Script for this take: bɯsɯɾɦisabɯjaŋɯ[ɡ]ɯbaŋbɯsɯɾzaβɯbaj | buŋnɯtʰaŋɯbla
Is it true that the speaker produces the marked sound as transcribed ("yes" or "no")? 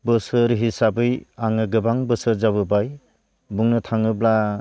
yes